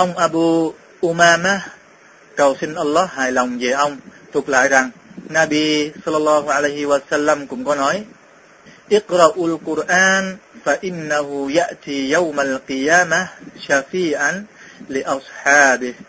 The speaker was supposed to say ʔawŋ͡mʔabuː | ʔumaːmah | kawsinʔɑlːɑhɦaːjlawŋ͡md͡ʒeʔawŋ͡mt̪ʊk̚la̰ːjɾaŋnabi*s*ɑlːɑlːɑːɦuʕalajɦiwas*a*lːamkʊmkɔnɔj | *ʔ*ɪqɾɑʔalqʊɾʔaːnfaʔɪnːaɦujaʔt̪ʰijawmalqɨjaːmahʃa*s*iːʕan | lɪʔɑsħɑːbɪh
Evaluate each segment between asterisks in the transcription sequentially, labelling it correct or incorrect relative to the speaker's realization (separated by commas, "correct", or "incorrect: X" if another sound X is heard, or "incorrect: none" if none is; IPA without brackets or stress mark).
correct, correct, correct, incorrect: f